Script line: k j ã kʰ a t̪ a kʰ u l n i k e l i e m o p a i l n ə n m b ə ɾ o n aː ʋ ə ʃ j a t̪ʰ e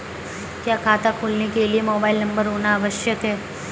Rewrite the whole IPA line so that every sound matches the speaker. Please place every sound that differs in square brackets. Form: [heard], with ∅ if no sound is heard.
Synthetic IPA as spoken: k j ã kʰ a t̪ a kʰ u l n i k e l i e m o [b] a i l n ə [∅] m b ə ɾ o n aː ʋ ə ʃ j [ə] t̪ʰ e